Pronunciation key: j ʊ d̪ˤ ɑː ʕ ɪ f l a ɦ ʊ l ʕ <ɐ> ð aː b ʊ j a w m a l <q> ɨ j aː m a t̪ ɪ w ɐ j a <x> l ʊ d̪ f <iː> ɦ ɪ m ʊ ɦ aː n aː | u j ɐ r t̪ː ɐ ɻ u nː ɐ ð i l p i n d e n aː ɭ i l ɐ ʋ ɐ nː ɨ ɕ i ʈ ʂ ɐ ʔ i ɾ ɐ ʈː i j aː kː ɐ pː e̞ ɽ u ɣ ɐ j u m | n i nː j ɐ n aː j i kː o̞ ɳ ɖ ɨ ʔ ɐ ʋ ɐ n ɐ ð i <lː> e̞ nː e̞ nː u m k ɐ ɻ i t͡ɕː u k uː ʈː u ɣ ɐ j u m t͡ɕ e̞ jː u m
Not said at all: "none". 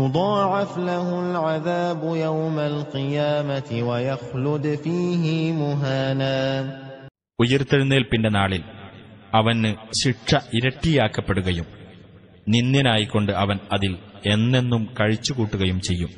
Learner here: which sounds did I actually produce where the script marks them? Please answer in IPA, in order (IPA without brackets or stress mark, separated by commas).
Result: a, q, x, iː, l